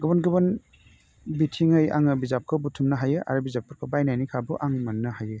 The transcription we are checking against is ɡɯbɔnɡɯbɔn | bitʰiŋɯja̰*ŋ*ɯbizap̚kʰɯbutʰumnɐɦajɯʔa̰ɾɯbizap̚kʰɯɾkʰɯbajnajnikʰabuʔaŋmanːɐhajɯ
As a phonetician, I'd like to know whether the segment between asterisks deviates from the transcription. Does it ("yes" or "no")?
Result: no